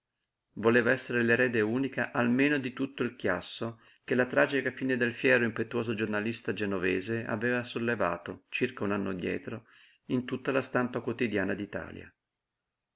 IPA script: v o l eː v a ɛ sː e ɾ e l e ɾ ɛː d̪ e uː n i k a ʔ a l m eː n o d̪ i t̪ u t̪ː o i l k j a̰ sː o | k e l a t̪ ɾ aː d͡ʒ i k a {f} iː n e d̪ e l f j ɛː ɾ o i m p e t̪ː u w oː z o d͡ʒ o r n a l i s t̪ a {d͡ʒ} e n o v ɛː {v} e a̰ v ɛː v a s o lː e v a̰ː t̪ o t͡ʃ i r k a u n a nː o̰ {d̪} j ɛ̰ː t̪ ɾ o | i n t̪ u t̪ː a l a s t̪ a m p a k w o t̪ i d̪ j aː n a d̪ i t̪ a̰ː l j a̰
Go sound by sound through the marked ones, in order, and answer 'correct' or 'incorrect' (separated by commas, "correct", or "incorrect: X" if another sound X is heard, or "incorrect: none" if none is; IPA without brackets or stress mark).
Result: correct, correct, incorrect: z, correct